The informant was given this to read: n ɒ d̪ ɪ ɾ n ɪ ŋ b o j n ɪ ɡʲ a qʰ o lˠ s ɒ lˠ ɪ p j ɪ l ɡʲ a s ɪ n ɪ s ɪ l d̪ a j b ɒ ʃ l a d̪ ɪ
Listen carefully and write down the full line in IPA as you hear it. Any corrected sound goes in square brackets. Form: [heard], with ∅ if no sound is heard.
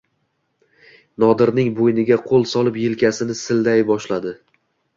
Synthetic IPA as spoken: n ɒ d̪ ɪ ɾ n ɪ ŋ b o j n ɪ ɡʲ a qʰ o lˠ s ɒ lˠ ɪ p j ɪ l [kʲ] a s ɪ n ɪ s ɪ l d̪ a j b ɒ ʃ l a d̪ ɪ